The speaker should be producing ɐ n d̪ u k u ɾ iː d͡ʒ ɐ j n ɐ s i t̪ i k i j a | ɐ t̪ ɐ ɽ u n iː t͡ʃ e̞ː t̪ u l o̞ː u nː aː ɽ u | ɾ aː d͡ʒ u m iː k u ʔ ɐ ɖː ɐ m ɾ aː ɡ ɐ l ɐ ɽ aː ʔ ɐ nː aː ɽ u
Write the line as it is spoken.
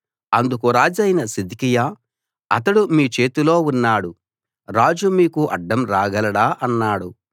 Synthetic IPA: ɐ n d̪ u k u ɾ aː d͡ʒ ɐ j n ɐ s i d̪ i k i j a | ɐ t̪ ɐ ɽ u m iː t͡ʃ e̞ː t̪ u l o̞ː u nː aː ɽ u | ɾ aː d͡ʒ u m iː k u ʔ ɐ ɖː ɐ m ɾ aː ɡ ɐ l ɐ ɽ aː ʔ ɐ nː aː ɽ u